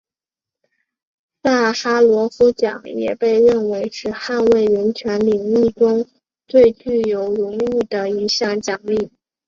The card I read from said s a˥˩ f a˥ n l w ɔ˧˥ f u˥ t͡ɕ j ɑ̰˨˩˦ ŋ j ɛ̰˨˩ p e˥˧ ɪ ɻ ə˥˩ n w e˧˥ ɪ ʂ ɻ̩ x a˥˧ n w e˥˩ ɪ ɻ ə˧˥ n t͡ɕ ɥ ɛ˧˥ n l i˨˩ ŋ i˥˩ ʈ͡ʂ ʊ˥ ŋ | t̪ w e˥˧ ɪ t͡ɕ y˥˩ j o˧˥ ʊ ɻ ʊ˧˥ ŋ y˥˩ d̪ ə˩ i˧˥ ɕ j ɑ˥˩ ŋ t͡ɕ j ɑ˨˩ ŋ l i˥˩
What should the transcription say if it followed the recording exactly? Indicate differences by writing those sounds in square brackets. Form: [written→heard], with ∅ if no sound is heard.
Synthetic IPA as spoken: s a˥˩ [f→x] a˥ [n→∅] l w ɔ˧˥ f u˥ t͡ɕ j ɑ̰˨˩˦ ŋ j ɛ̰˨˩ p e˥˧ ɪ ɻ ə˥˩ n w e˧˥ ɪ ʂ ɻ̩ x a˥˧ n w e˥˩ ɪ ɻ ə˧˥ n [t͡ɕ→t͡ɕʰ] ɥ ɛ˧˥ n l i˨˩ ŋ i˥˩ ʈ͡ʂ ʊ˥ ŋ | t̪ w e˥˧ ɪ t͡ɕ y˥˩ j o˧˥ ʊ ɻ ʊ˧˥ ŋ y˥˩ d̪ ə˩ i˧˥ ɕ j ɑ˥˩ ŋ t͡ɕ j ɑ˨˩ ŋ l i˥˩